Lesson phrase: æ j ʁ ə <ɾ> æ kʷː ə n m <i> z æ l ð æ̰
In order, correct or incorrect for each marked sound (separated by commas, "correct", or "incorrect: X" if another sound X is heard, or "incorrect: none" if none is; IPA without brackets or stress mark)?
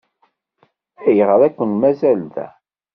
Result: correct, incorrect: æ